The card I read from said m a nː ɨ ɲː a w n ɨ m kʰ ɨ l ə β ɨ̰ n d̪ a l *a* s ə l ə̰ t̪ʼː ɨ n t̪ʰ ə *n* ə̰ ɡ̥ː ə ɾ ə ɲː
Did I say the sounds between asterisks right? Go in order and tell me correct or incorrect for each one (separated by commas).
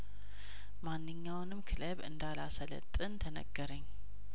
correct, correct